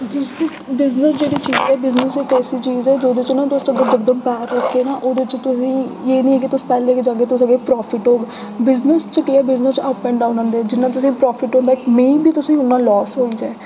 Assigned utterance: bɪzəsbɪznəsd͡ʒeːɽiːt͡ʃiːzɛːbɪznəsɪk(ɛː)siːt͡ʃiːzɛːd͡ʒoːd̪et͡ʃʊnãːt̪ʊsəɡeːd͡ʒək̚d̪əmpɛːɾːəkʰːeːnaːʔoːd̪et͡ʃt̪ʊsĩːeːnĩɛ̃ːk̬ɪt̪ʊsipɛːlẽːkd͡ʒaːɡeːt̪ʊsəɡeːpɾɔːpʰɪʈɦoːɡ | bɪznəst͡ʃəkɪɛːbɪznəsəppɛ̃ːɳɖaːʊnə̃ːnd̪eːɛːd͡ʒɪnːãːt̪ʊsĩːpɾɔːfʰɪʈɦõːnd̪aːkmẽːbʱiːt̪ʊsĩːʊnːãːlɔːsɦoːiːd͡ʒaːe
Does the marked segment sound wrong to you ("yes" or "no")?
no